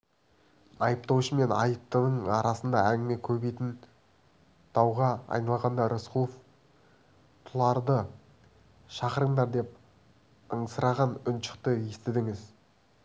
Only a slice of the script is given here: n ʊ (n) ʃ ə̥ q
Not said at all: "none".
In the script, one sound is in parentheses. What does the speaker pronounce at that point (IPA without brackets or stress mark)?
n